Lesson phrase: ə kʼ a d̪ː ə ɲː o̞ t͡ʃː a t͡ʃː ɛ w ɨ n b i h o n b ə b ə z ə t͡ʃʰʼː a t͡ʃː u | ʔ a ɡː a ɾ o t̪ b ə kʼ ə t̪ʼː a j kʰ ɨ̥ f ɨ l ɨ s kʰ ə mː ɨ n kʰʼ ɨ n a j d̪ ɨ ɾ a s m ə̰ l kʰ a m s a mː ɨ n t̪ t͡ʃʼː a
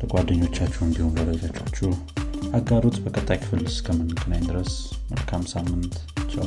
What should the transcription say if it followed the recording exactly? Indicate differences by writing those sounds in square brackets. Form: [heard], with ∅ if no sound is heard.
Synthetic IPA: ə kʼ a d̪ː ə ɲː o̞ t͡ʃː a t͡ʃː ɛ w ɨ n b i h o n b ə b ə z [a] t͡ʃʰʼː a t͡ʃː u | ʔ a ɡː a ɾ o t̪ b ə kʼ ə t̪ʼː a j kʰ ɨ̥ f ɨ l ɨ s kʰ ə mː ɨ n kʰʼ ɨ n a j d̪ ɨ ɾ [ə] s m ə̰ l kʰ a m s a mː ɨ n t̪ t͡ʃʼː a